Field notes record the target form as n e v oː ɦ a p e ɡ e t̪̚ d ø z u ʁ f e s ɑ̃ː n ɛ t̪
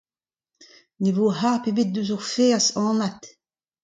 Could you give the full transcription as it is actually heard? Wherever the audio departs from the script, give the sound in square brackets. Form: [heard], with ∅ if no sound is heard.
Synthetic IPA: n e v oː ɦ a p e [b] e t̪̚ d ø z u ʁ f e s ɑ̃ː n [a] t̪